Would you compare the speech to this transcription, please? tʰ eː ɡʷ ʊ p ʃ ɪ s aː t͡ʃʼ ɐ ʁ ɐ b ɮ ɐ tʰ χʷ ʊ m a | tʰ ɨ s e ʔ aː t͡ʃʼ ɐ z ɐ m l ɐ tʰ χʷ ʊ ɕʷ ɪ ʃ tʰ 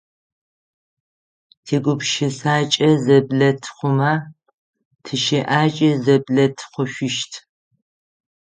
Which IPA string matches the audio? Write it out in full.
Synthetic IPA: tʰ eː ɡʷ ʊ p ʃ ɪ s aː t͡ʃʼ ɐ z ɐ b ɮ ɐ tʰ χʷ ʊ m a | tʰ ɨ ʃ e ʔ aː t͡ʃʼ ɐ z ɐ b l ɐ tʰ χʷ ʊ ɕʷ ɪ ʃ tʰ